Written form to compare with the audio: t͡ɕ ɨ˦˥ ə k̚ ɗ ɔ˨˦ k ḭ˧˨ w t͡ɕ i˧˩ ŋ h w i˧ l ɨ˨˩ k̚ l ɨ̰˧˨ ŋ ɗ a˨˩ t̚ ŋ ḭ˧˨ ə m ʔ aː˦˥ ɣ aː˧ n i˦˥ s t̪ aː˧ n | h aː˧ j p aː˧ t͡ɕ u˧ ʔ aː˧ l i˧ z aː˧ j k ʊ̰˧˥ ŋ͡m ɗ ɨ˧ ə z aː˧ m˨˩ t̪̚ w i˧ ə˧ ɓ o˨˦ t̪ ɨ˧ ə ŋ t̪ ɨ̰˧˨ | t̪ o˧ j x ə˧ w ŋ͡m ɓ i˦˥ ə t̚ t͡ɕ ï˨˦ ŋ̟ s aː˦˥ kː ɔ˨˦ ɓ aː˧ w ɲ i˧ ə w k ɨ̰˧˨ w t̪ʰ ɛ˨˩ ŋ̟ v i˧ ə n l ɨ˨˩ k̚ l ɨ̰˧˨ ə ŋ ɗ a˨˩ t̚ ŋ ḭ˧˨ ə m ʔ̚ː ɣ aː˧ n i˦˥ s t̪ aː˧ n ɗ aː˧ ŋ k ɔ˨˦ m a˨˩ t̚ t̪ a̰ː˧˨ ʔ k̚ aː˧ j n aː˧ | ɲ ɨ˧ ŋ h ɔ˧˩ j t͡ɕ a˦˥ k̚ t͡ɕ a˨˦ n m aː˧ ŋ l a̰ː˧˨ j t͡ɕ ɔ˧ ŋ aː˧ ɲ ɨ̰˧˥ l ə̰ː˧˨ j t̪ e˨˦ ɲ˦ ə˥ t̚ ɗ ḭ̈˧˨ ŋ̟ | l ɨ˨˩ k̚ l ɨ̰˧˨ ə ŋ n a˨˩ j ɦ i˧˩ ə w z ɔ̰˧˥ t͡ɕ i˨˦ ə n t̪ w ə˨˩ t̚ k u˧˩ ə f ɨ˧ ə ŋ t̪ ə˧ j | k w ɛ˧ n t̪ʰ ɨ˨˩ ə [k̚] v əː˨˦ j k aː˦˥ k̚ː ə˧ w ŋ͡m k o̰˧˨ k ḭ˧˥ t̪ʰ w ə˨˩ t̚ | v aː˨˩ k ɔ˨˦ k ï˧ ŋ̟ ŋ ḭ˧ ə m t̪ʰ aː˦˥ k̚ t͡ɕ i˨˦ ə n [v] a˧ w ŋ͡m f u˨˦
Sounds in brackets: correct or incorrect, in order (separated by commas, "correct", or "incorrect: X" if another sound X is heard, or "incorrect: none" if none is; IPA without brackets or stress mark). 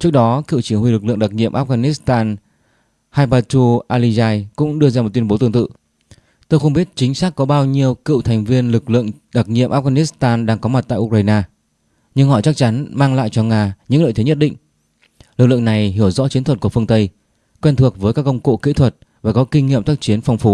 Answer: correct, incorrect: f